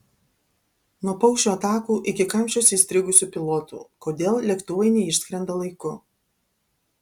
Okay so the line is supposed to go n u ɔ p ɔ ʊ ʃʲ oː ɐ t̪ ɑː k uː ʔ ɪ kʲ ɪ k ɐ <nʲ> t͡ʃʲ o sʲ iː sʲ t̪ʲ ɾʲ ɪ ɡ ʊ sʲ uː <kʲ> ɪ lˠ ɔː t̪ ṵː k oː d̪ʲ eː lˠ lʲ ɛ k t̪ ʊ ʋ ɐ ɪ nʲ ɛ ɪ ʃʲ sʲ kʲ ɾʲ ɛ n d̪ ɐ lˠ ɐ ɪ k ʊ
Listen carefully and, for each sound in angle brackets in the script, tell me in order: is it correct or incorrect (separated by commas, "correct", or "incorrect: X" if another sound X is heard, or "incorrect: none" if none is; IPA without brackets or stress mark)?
incorrect: mʲ, incorrect: pʲ